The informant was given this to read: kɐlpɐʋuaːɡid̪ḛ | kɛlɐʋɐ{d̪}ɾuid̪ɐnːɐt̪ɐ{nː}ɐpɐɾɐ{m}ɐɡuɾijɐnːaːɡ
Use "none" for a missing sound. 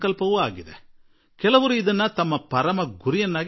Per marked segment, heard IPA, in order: none, mː, m

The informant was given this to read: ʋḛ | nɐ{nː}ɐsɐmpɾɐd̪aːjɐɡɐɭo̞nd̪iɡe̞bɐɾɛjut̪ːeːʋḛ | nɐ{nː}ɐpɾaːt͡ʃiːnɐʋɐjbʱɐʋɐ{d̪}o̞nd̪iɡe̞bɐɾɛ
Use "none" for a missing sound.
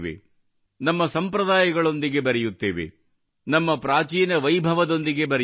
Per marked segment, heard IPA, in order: mː, mː, d̪

